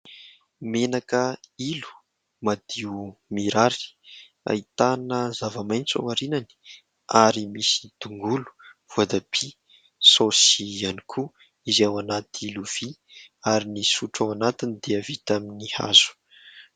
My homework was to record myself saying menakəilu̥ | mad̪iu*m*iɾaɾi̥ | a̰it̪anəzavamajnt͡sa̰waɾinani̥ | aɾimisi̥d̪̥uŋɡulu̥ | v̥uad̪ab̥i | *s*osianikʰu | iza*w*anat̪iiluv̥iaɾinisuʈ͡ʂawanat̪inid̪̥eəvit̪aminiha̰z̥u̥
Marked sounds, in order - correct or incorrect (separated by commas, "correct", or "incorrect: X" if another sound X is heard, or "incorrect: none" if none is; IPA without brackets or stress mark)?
correct, correct, correct